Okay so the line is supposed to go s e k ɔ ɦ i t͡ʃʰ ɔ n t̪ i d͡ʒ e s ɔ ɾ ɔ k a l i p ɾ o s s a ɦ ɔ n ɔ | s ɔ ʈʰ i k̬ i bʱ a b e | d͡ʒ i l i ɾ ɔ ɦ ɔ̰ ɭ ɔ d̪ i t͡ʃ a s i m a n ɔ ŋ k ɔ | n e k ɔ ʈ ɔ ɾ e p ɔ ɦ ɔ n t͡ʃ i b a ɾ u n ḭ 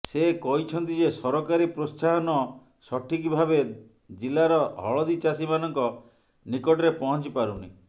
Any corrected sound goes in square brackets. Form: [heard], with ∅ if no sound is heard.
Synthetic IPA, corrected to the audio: s e k ɔ ɦ i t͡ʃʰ ɔ n t̪ i d͡ʒ e s ɔ ɾ ɔ k a [ɾ] i p ɾ o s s a ɦ ɔ n ɔ | s ɔ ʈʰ i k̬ i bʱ a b e | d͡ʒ i l [a] ɾ ɔ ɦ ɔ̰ ɭ ɔ d̪ i t͡ʃ a s i m a n ɔ ŋ k ɔ | n [i] k ɔ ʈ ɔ ɾ e p ɔ ɦ ɔ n t͡ʃ i [p] a ɾ u n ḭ